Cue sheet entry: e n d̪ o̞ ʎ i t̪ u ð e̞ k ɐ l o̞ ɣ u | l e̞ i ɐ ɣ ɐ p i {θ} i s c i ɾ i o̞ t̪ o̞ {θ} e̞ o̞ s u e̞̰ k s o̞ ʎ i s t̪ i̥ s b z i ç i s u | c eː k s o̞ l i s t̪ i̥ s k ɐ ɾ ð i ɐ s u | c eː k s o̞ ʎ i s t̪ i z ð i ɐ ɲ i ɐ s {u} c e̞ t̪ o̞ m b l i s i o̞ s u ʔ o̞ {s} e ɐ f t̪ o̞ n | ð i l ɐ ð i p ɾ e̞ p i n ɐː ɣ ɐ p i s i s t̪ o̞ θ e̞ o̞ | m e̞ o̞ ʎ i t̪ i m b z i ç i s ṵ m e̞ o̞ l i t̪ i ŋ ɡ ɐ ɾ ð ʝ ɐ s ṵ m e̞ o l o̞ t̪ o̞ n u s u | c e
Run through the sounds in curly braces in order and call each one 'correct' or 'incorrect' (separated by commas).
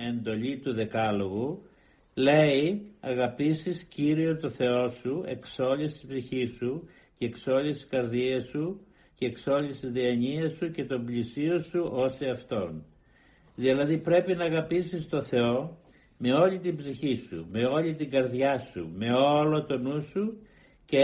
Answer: incorrect, correct, correct, correct